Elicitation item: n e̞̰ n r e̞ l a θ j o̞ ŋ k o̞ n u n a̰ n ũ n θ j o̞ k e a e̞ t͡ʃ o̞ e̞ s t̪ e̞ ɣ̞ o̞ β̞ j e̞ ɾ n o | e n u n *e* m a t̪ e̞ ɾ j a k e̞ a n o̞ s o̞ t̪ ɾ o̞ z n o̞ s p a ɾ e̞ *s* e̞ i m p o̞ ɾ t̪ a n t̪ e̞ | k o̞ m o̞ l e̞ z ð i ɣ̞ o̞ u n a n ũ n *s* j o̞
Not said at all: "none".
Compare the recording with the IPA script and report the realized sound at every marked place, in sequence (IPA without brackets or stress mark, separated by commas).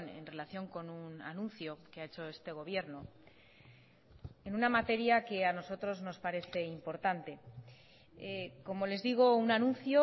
a, θ, θ